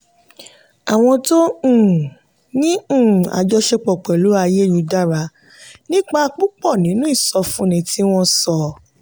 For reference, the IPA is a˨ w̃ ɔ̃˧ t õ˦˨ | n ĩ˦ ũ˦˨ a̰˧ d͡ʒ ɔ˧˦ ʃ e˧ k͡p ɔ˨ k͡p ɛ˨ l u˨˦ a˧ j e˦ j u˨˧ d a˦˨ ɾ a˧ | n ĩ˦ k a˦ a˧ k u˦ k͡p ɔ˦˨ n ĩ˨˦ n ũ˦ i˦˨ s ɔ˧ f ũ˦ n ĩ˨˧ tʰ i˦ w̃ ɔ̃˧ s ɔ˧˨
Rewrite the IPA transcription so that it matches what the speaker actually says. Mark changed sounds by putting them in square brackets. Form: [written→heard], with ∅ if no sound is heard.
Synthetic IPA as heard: a˨ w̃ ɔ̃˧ t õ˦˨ | n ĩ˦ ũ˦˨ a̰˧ d͡ʒ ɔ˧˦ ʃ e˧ k͡p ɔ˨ k͡p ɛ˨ l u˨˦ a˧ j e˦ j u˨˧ d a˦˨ ɾ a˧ | n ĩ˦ [k→k͡p] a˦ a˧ [k→k͡p] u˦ k͡p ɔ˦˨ n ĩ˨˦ n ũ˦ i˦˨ s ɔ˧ f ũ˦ n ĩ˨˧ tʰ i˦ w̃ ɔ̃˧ s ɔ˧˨